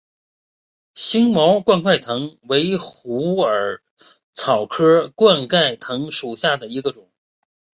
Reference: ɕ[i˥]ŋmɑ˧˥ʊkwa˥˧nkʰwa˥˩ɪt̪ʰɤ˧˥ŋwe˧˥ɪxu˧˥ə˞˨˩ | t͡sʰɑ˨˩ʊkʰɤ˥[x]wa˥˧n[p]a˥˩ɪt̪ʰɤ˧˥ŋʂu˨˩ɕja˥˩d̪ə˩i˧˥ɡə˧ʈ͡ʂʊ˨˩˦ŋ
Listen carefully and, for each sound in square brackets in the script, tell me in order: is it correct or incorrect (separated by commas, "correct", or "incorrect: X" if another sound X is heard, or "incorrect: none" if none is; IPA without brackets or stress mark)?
correct, incorrect: k, incorrect: k